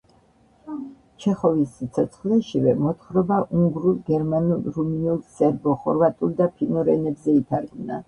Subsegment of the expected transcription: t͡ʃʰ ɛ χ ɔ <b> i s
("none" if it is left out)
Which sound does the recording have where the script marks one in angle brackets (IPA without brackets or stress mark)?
v